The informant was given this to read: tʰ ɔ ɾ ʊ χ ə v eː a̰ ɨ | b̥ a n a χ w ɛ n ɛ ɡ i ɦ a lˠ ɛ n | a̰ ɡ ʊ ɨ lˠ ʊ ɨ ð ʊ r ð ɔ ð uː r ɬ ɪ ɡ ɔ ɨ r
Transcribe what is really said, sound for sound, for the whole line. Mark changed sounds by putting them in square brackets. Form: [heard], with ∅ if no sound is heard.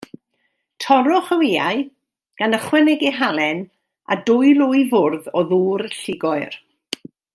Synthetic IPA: tʰ ɔ ɾ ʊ χ ə [w] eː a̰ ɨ | [ɡ̥] a n [ə] χ w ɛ n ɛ ɡ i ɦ a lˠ ɛ n | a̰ [d] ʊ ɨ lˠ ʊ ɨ [v] ʊ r ð ɔ ð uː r ɬ ɪ ɡ ɔ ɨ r